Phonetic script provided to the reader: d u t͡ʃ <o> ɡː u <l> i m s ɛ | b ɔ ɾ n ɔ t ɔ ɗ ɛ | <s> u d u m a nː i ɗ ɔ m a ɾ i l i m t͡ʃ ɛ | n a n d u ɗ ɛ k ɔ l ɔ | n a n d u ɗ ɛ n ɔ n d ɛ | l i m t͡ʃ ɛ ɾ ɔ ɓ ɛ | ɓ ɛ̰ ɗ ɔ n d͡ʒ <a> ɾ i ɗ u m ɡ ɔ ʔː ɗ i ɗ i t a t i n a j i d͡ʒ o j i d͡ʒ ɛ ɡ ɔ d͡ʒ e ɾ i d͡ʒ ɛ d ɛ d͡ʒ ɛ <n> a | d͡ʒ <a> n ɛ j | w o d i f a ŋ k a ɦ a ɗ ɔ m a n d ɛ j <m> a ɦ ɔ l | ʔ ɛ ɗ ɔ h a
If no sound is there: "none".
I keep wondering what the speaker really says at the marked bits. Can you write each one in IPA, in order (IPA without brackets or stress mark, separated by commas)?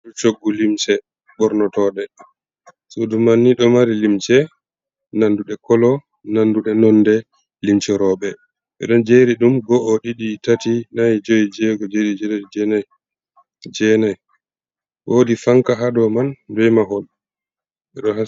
o, l, s, e, n, ɛ, m